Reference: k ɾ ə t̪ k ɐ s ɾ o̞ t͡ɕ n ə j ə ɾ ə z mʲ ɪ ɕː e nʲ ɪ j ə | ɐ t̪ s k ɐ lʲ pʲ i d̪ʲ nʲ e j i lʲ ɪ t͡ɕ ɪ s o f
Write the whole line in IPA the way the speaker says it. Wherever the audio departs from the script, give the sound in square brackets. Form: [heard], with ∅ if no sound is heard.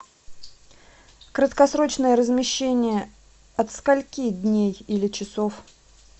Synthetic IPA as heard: k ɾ ə t̪ k ɐ s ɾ o̞ t͡ɕ n ə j ə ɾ ə z mʲ ɪ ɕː e nʲ ɪ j ə | ɐ t̪ s k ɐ lʲ [kʲ] i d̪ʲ nʲ e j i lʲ ɪ t͡ɕ ɪ s o f